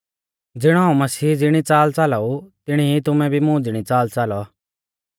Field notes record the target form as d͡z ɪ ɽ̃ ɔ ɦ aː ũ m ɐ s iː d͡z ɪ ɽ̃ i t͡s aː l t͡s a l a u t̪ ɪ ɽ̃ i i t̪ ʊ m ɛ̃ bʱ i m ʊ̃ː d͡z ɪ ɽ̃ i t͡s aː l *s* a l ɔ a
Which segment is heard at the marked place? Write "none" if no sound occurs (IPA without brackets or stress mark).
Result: t͡s